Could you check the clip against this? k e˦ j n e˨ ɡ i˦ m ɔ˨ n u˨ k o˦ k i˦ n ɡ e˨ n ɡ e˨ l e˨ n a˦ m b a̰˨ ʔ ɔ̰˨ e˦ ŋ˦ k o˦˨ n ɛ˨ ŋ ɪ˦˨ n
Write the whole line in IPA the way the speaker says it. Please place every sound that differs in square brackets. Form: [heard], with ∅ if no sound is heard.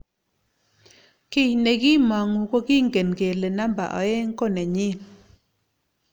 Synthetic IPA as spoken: k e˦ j n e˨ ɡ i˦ m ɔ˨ [ŋ] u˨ k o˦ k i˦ [ŋ] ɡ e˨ n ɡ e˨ l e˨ n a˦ m b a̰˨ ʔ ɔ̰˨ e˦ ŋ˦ k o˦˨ n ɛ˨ [ɲ] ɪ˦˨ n

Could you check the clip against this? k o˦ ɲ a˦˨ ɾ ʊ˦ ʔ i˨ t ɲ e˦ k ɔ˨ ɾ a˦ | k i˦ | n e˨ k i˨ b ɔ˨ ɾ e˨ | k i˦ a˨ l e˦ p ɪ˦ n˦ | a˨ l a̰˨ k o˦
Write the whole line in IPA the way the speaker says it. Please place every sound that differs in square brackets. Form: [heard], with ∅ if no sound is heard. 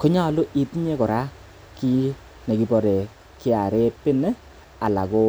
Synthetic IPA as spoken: k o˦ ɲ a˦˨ [l] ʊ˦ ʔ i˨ t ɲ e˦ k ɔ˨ ɾ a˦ | k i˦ | n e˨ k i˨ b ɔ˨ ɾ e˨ | k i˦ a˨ [ɾ] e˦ p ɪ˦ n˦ | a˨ l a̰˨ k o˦

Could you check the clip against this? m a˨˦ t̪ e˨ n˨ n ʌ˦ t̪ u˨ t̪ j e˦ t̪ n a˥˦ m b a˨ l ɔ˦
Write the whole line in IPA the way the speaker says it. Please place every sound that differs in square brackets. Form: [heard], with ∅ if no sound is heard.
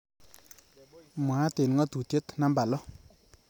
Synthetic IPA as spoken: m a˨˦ t̪ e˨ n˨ [ŋ] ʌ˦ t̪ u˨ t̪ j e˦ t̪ n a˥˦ m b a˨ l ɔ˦

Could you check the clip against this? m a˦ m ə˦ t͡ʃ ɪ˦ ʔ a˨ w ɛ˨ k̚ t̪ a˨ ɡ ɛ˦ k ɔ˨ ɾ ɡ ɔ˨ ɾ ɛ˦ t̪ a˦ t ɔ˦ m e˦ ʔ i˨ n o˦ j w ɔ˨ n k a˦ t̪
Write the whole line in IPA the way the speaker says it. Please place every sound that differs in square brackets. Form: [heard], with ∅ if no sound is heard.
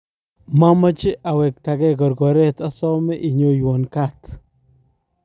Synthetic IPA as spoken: m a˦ m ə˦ t͡ʃ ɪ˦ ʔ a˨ w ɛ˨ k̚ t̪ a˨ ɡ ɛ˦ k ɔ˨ ɾ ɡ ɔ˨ ɾ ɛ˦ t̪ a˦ [s] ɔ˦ m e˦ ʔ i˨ [ɲ] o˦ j w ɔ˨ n k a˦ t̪

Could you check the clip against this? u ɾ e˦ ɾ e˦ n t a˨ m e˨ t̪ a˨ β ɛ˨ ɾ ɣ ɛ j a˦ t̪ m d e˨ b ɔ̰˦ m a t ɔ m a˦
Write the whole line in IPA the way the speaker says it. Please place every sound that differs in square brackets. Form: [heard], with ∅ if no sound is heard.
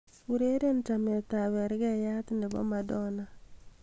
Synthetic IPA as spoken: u ɾ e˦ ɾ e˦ n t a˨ m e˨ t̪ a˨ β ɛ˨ ɾ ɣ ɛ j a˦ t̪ [n] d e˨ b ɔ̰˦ m a [d] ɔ [n] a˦

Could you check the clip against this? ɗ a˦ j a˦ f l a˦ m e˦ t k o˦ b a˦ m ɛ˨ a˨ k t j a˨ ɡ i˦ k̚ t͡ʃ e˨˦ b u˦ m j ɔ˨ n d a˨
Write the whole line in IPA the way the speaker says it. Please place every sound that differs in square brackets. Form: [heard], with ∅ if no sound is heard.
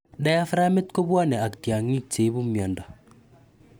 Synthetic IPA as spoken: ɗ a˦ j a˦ f [ɾ] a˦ m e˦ t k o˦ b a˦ [n] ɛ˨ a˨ k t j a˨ [ŋ] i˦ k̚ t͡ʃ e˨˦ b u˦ m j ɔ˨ n d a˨

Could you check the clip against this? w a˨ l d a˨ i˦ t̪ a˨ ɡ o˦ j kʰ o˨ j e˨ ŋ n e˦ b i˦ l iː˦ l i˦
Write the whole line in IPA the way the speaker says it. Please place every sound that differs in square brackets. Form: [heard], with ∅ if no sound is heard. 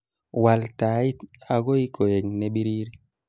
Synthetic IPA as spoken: w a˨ l [t] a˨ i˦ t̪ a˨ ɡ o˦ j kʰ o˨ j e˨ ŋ n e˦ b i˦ [ɾ] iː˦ [ɾ] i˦

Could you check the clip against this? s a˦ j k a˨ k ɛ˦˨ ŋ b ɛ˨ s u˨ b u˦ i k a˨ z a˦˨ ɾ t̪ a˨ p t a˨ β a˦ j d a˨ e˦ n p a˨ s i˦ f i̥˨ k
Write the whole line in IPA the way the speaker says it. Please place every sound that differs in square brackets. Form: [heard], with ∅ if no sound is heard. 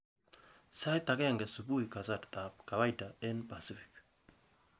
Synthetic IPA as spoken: s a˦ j [t] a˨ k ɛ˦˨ ŋ [ɡ] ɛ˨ s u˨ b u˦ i k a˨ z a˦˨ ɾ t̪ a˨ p [k] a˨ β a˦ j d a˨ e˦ n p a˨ s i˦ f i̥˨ k

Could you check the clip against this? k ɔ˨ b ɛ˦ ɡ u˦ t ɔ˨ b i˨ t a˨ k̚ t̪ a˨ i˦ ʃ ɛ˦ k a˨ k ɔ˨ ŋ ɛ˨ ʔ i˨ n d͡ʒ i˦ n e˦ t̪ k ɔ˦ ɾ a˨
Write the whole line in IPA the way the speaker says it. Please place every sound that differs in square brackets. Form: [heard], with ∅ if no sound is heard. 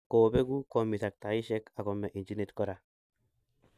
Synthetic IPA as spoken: k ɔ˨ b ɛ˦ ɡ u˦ [k] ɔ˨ [m] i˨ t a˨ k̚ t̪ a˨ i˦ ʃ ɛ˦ k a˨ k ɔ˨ [m] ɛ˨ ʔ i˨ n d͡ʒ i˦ n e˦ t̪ k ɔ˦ ɾ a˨

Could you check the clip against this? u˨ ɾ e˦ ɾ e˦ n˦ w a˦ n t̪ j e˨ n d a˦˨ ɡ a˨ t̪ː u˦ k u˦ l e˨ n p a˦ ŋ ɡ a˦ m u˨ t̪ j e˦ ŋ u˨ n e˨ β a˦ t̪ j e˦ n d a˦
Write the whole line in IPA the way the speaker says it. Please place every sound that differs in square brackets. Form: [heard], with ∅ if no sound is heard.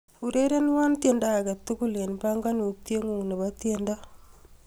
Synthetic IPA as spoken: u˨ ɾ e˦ ɾ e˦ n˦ w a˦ n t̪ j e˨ n d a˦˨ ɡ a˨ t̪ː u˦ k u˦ l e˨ n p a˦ ŋ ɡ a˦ [n] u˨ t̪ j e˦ ŋ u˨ n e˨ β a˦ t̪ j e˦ n d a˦

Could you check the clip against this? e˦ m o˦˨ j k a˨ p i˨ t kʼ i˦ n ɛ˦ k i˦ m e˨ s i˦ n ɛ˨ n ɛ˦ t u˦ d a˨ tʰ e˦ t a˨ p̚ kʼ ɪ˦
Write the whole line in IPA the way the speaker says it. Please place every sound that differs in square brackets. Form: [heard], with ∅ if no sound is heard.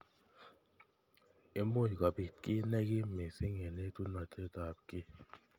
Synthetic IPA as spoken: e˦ m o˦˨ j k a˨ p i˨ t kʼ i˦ n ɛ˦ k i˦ m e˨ s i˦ [ŋ] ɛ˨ n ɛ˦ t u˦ [n] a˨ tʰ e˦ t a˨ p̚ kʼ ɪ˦

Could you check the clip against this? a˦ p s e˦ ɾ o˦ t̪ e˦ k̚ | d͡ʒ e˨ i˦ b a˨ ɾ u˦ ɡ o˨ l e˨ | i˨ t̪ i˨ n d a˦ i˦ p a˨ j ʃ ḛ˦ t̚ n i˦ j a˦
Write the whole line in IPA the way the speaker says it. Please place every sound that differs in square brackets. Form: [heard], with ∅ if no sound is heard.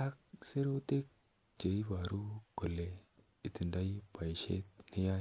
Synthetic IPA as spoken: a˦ [k] s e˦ ɾ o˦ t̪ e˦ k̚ | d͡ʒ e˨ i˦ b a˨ ɾ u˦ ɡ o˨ l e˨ | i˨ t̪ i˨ n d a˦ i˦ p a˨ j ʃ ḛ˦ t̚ n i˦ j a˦

